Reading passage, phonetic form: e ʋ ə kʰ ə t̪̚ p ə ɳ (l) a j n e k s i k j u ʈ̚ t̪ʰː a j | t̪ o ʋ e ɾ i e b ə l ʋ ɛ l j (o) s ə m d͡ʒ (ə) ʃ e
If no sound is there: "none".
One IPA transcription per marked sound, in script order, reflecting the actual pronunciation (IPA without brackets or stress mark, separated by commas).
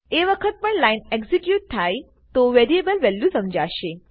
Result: l, u, a